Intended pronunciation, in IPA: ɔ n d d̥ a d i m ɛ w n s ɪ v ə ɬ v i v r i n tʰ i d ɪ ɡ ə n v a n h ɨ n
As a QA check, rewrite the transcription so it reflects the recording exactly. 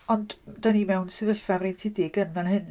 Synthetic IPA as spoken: ɔ n d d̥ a n i m ɛ w n s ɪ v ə ɬ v a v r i n tʰ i d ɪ ɡ ə n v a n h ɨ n